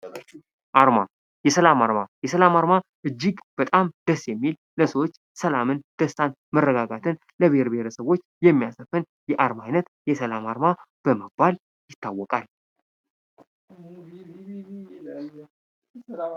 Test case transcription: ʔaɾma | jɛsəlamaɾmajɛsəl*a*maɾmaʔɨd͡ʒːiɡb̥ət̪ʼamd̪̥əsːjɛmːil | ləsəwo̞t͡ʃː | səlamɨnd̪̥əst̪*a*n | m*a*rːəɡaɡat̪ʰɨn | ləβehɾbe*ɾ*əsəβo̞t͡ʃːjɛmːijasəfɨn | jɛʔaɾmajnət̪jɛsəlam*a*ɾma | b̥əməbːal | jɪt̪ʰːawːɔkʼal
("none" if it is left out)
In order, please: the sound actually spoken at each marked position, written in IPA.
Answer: a, a, ə, ɾ, a

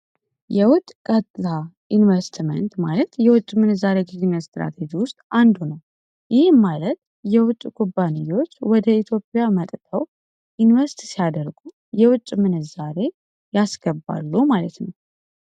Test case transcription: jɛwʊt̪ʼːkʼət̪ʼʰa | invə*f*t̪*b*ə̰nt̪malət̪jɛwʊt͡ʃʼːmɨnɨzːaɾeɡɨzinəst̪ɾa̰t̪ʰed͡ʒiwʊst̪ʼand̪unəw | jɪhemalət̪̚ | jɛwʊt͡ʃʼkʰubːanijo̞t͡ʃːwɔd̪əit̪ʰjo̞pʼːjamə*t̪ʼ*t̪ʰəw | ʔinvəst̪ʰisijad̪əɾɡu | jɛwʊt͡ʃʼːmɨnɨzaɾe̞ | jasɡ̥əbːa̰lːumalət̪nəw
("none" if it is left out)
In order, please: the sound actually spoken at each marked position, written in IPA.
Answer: s, m, t̪ʼ

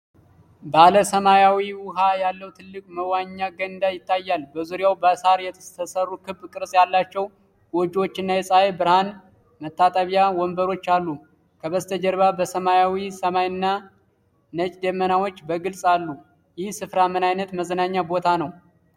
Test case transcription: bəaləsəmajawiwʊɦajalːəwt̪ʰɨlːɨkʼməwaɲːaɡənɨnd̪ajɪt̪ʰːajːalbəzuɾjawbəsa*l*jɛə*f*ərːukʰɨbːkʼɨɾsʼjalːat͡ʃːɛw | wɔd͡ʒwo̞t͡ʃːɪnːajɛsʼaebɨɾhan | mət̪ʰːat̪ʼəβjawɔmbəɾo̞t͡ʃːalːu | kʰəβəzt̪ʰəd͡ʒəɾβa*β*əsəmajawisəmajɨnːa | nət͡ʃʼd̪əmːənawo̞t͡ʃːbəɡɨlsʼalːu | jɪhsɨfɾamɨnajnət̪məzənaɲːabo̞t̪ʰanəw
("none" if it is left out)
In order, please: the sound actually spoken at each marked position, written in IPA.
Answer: ɾ, s, b

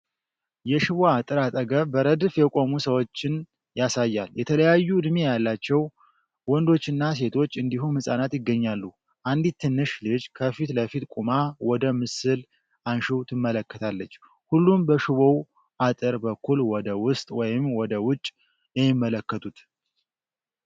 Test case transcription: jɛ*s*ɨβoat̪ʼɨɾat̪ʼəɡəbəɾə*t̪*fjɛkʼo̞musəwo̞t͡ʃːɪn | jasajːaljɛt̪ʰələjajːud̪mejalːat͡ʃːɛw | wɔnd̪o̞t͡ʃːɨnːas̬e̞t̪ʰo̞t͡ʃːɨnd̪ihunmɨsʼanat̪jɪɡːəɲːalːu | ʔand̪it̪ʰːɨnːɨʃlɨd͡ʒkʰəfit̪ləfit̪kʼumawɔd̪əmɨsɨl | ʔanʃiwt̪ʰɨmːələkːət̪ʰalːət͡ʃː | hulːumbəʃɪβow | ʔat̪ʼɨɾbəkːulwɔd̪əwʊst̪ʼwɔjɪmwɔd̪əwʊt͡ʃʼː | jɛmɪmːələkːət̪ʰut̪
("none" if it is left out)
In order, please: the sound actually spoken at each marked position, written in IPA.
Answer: ʃ, d̪

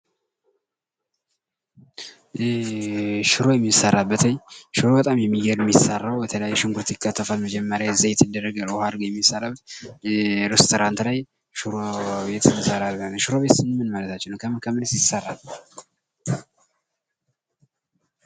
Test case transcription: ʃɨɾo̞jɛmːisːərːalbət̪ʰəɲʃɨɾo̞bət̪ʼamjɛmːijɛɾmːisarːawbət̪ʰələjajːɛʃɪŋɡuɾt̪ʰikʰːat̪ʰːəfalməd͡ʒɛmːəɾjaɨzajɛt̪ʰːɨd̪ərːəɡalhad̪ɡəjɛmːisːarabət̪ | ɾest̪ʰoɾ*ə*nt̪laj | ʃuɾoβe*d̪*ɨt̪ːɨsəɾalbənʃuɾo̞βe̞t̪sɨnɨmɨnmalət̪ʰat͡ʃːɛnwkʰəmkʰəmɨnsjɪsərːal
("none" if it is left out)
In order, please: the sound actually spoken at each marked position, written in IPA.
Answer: a, t̪

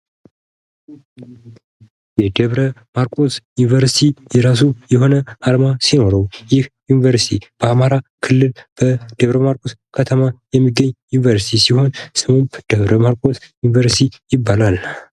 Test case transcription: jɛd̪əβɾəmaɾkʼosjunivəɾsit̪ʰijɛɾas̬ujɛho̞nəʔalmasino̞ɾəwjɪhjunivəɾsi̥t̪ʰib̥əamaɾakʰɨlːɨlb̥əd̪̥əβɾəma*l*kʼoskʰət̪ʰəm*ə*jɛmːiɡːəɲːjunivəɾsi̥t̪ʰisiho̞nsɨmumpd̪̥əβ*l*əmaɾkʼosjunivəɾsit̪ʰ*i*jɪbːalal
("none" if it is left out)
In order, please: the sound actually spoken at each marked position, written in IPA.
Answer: ɾ, a, ɾ, i

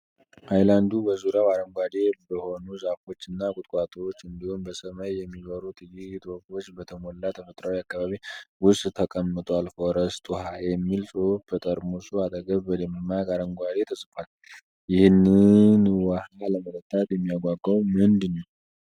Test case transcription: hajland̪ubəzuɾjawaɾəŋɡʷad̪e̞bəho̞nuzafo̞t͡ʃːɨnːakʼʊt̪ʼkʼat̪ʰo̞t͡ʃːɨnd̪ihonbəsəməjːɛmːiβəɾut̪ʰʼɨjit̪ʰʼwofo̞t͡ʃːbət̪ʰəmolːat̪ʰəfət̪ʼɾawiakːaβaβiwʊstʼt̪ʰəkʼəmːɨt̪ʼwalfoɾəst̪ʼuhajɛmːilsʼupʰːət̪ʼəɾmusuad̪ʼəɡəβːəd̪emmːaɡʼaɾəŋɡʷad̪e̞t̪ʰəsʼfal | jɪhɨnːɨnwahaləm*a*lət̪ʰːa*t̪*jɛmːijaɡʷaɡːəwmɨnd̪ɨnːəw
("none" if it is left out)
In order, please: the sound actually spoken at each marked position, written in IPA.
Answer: ə, t̪

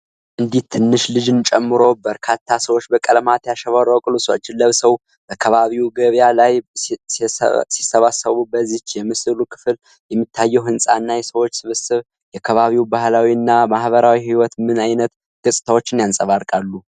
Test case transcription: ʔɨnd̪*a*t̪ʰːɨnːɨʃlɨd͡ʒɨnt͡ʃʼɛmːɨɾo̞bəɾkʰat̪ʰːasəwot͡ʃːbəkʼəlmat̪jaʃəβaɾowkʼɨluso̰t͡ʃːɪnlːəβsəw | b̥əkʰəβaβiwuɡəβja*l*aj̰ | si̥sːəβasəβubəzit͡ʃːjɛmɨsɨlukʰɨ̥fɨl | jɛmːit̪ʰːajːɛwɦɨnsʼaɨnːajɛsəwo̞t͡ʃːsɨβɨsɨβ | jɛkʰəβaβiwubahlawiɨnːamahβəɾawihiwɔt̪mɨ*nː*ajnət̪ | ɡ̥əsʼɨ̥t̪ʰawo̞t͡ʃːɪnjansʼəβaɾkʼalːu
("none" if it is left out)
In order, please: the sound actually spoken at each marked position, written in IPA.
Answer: i, l, n

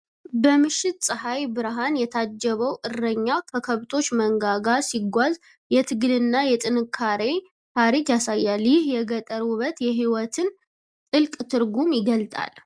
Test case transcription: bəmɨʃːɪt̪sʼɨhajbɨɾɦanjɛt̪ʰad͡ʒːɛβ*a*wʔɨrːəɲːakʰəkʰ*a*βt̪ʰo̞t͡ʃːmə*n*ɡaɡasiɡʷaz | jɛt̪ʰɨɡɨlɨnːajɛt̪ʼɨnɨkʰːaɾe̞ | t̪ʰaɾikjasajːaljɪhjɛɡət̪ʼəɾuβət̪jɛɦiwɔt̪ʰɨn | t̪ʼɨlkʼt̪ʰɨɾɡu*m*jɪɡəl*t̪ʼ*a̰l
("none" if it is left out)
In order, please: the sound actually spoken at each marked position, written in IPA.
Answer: ə, ə, ŋ, m, t̪ʼ

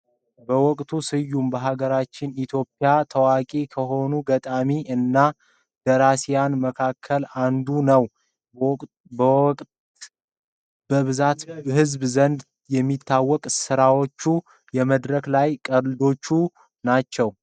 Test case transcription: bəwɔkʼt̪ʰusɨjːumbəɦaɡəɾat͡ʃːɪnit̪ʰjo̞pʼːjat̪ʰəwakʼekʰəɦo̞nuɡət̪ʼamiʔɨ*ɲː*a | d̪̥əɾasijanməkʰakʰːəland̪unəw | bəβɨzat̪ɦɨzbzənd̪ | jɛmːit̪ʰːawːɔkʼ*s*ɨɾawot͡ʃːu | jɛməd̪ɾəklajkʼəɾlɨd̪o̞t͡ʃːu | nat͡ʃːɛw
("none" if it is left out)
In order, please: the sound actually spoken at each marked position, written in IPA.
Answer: nː, s

